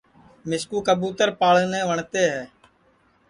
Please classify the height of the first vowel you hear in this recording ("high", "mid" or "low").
high